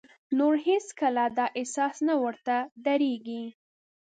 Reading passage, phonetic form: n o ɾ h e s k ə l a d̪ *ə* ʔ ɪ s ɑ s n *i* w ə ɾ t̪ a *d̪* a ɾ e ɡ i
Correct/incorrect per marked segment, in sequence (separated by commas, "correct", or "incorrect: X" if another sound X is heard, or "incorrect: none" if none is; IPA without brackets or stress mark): incorrect: ɑ, incorrect: a, correct